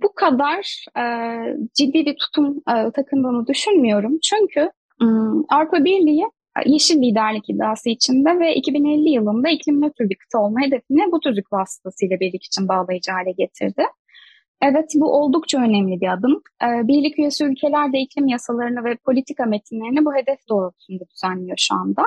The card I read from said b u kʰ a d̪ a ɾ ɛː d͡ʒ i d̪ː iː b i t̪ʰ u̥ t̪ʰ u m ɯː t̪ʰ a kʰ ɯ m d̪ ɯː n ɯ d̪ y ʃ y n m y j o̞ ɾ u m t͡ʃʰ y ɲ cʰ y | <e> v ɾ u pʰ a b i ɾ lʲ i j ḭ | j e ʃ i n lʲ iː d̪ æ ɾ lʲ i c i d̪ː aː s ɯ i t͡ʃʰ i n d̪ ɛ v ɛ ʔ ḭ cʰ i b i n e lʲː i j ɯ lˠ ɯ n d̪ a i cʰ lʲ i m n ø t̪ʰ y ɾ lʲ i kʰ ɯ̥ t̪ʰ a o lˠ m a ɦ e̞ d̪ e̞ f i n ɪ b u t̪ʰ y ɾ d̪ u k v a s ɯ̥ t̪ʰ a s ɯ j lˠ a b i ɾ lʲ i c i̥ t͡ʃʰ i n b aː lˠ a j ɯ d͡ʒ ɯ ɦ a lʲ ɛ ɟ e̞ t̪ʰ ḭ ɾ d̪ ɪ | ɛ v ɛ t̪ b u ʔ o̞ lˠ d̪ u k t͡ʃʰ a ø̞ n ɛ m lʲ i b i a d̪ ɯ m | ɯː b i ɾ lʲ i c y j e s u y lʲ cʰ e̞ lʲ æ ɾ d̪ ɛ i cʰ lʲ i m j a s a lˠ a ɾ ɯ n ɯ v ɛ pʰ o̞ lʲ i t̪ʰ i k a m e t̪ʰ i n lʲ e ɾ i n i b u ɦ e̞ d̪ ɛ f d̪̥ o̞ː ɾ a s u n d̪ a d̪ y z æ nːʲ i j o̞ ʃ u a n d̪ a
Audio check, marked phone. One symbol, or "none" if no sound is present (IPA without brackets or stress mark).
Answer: a